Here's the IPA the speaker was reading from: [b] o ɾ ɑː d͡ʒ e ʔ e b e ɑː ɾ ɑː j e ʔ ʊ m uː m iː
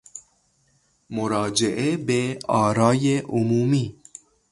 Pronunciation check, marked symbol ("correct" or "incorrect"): incorrect